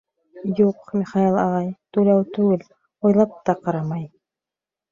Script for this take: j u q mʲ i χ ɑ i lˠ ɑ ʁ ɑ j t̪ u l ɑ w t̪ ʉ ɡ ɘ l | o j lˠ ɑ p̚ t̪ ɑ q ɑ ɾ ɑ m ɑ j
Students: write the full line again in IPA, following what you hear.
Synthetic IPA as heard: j u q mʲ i χ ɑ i lˠ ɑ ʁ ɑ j t̪ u l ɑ w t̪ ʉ ɡ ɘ l | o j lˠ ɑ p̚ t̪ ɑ q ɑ ɾ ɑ m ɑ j